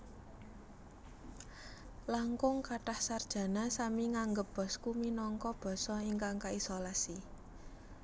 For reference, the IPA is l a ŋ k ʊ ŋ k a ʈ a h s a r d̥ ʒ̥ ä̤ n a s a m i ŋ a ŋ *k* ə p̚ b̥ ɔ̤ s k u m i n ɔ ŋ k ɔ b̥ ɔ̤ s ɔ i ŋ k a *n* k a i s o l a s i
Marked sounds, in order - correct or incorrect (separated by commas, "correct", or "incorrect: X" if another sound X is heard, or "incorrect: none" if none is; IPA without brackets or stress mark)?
incorrect: ɡ, incorrect: ŋ